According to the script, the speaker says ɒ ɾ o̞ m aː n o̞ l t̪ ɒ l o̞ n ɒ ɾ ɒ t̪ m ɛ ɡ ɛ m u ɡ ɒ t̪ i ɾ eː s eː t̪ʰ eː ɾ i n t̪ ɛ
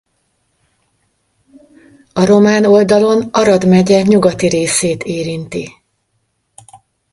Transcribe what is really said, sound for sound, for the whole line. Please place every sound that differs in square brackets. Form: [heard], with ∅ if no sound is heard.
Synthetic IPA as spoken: ɒ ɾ o̞ m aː n o̞ l [d̪] ɒ l o̞ n ɒ ɾ ɒ [d̪] m ɛ [ɟ] ɛ [ɲ] u ɡ ɒ t̪ i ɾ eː s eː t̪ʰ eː ɾ i n t̪ [i]